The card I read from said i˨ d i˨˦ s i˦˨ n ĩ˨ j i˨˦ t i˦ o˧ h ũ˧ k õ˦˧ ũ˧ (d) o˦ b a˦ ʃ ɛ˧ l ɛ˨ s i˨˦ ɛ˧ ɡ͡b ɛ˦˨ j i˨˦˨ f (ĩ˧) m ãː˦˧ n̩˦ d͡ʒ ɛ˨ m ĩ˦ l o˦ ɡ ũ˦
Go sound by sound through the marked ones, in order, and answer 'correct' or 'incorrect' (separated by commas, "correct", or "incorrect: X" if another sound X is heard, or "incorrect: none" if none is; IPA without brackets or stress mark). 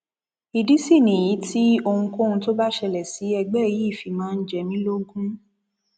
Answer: incorrect: t, incorrect: i˧